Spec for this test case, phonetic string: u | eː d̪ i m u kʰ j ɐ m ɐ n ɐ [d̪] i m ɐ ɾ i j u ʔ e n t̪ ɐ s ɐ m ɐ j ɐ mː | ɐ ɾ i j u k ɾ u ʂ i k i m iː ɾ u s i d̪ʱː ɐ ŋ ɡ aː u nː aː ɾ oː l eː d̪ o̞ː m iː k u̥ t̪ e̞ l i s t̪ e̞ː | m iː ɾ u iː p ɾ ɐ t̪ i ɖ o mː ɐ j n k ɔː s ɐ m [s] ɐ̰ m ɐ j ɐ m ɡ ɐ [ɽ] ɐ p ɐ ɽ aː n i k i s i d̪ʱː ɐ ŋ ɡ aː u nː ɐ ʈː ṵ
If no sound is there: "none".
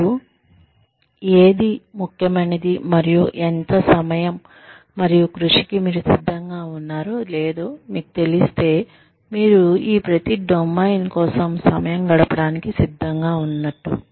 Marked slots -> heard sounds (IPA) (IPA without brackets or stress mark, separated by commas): d̪, s, ɽ